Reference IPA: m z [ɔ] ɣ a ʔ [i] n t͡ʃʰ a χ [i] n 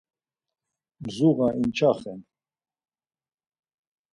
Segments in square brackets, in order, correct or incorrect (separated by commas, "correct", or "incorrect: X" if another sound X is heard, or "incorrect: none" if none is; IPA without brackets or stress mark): incorrect: u, correct, incorrect: ɛ